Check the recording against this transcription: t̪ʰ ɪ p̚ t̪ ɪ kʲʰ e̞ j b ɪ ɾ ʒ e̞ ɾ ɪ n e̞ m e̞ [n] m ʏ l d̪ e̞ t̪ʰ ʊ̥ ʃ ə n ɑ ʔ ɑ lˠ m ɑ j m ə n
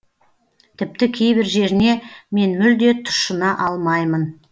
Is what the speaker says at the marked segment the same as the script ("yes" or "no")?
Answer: yes